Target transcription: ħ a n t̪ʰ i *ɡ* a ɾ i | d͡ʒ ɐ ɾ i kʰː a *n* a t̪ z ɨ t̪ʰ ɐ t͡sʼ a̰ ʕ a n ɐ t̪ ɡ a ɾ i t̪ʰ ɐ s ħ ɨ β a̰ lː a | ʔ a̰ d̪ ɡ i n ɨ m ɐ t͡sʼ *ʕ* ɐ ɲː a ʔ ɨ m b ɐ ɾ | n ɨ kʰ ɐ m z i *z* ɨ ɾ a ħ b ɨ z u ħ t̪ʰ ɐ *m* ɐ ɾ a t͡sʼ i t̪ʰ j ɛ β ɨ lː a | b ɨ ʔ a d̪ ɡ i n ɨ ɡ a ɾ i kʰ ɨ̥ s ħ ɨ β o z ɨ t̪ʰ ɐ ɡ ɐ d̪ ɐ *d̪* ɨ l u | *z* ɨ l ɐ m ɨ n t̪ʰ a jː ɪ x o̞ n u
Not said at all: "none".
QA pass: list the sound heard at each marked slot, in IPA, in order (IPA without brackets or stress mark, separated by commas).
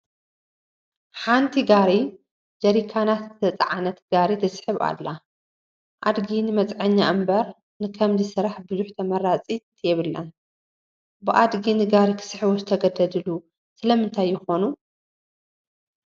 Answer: ɡ, n, ʕ, s, m, d̪, s